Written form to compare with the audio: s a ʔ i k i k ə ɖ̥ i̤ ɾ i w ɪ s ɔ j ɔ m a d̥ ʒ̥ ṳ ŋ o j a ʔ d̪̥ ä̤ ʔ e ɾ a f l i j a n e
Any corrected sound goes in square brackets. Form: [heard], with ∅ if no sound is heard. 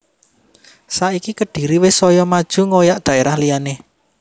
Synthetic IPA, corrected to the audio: s a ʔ i k i k ə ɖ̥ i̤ ɾ i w ɪ s ɔ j ɔ m a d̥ ʒ̥ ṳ ŋ o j a ʔ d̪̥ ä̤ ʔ e ɾ a [h] l i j a n e